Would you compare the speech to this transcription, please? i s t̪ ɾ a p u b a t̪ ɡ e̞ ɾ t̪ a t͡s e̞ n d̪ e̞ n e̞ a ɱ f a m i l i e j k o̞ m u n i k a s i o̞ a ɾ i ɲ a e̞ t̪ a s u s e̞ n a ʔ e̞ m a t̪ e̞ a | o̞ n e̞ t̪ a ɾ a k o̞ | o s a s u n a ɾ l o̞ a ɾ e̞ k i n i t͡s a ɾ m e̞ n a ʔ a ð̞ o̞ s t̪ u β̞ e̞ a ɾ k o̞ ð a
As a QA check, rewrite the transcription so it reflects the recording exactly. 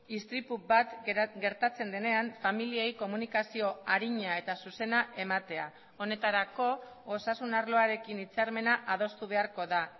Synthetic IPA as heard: i s t̪ ɾ i p u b a t̪ ɡ e̞ ɾ t̪ a t͡s e̞ n d̪ e̞ n e̞ a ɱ f a m i l i e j k o̞ m u n i k a s i o̞ a ɾ i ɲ a e̞ t̪ a s u s e̞ n a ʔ e̞ m a t̪ e̞ a | o̞ n e̞ t̪ a ɾ a k o̞ | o s a s u n a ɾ l o̞ a ɾ e̞ k i n i t͡s a ɾ m e̞ n a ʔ a ð̞ o̞ s t̪ u β̞ e̞ a ɾ k o̞ ð a